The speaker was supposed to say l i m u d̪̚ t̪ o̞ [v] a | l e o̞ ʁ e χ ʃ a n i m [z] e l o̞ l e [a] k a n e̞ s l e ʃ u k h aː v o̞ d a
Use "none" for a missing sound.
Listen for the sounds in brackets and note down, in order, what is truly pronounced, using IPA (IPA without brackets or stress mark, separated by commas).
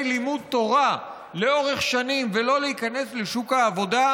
ʁ, v, i